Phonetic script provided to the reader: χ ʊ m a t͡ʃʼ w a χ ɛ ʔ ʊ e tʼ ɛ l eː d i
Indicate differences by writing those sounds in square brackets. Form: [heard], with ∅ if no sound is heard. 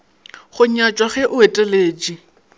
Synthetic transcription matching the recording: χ ʊ [ɲ] a t͡ʃʼ w a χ ɛ ʔ ʊ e tʼ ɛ l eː [d͡ʒ] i

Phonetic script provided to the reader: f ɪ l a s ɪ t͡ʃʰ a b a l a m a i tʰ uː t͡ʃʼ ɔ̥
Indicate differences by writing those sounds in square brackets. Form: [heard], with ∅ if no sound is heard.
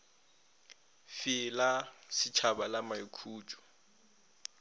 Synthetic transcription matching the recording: f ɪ l a s ɪ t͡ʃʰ a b a l a m a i [kʰ] uː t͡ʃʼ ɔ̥

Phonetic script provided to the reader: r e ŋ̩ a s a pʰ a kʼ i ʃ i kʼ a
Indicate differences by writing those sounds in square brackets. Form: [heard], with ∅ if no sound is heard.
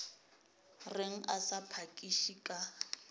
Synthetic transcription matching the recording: r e ŋ̩ a s a pʰ a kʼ i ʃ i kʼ a

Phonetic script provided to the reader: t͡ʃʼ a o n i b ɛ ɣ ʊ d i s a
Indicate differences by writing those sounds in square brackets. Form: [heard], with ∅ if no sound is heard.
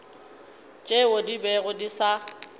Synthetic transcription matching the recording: t͡ʃʼ [e] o [d] i b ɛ ɣ ʊ d i s a

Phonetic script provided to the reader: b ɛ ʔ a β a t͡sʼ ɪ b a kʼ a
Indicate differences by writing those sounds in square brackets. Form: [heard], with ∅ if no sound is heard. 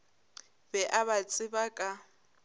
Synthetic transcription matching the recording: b ɛ ʔ a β a t͡sʼ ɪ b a kʼ a

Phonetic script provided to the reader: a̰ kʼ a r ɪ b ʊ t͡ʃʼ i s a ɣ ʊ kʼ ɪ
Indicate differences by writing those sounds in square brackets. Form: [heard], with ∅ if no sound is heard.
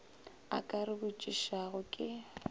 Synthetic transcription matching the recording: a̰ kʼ a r ɪ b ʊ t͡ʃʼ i [ʃ] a ɣ ʊ kʼ ɪ

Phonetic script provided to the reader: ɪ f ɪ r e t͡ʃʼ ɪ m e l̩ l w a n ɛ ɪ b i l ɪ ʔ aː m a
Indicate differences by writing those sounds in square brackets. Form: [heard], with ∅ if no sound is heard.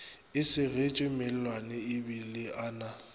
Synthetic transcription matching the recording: ɪ [s] ɪ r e t͡ʃʼ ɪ m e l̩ l w a n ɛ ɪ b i l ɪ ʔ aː [n] a

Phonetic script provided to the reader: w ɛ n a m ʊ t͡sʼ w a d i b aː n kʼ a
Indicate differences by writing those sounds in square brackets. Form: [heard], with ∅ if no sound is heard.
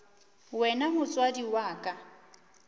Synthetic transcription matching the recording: w ɛ n a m ʊ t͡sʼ w a d i [w] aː [∅] kʼ a

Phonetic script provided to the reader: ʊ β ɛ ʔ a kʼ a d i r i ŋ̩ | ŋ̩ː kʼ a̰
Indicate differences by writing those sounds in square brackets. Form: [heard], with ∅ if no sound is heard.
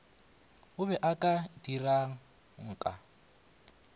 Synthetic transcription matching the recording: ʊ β ɛ ʔ a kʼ a d i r [a] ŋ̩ | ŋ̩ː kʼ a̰

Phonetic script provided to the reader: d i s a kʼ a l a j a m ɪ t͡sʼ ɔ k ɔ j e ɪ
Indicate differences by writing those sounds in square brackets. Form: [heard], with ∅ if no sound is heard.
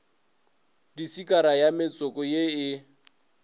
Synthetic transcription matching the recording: d i s [i] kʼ a [ɾ] a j a m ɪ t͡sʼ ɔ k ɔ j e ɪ

